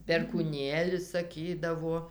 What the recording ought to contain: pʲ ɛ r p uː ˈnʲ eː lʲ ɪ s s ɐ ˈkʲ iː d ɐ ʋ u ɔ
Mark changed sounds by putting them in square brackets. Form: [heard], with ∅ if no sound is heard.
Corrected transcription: pʲ ɛ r [k] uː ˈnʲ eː lʲ ɪ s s ɐ ˈkʲ iː d ɐ ʋ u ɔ